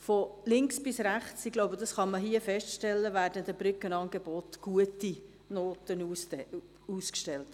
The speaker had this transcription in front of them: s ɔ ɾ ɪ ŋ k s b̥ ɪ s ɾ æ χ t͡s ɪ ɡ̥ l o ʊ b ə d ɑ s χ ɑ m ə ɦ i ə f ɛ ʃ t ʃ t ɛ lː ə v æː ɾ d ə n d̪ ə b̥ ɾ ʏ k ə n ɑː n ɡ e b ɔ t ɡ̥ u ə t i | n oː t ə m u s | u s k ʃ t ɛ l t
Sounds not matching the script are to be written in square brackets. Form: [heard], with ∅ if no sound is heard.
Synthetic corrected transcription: [f] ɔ [l] ɪ ŋ k s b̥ ɪ s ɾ æ χ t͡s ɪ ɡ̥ l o ʊ b ə d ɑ s χ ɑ m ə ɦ i ə f ɛ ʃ t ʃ t ɛ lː ə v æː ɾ d ə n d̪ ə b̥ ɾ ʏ k ə n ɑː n ɡ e b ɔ t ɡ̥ u ə t i | n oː t ə [n] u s | u s k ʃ t ɛ l t

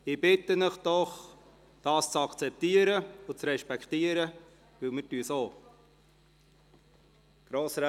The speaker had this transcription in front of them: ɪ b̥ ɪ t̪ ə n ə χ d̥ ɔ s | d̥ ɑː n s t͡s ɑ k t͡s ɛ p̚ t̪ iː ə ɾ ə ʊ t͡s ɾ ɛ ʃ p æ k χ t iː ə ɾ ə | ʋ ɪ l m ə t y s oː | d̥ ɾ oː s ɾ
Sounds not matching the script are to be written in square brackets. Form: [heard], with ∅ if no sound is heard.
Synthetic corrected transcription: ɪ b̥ ɪ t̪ ə n ə χ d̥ ɔ [χ] | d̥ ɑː [∅] s t͡s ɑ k t͡s ɛ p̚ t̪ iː ə ɾ ə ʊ t͡s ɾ ɛ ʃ p [ɛ] k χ t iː ə ɾ ə | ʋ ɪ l m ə t y s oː | [ɡ̥] ɾ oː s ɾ

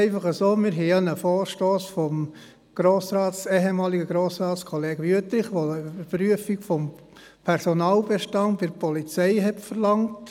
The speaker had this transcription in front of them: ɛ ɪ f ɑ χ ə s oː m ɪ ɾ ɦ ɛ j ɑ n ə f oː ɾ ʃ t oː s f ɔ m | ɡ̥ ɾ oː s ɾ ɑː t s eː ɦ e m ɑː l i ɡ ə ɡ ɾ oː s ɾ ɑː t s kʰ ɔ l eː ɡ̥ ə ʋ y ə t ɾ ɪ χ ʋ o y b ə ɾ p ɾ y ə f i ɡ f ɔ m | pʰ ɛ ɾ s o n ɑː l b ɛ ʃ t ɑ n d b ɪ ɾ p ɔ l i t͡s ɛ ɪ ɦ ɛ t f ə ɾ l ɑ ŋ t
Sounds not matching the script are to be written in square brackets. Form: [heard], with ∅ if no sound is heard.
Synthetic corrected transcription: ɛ ɪ f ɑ χ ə s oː m ɪ ɾ ɦ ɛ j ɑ n ə f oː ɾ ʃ t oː s f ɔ m | ɡ̥ ɾ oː s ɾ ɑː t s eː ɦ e m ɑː l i ɡ ə ɡ ɾ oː s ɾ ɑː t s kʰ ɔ l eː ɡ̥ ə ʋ y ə t ɾ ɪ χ ʋ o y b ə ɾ p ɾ y ə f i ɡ f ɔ m | pʰ ɛ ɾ s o n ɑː l b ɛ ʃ t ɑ n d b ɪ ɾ p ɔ l i t͡s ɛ ɪ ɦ ɛ t f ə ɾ l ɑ ŋ t

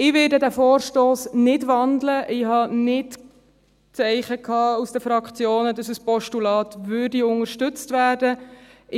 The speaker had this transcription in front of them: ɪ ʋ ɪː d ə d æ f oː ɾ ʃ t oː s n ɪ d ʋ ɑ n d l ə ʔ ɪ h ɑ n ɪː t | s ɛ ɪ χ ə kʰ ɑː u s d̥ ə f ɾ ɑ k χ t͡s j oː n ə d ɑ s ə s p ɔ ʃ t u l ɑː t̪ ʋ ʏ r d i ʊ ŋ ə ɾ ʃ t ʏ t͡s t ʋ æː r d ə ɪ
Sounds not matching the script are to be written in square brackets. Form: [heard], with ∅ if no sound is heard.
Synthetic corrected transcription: ɪ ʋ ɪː d ə d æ f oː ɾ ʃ t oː s n ɪ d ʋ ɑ n d l ə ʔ ɪ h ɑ n [ɪ] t | [t͡s] ɛ ɪ χ ə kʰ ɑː u s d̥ ə f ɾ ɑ k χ t͡s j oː n ə d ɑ s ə s p ɔ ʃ t u l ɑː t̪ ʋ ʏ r d i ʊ ŋ ə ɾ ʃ t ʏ t͡s t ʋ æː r d ə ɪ

